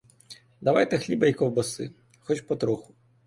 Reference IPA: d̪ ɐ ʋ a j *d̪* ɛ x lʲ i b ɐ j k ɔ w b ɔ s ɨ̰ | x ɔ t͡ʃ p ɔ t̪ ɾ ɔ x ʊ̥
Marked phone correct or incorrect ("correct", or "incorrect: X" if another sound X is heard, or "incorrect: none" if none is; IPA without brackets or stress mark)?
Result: incorrect: t̪